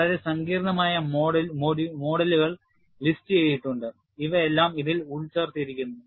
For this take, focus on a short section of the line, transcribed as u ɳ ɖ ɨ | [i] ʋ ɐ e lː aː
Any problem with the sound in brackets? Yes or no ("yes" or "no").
no